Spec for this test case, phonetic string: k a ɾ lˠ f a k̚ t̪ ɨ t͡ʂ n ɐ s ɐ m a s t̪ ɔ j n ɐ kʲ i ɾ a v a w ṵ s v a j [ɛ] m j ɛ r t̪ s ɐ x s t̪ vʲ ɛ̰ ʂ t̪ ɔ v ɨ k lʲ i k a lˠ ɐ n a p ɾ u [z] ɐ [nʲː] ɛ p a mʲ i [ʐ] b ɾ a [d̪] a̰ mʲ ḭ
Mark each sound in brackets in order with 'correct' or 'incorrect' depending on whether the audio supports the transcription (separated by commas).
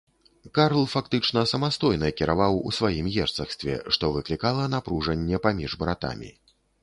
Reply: incorrect, incorrect, correct, correct, incorrect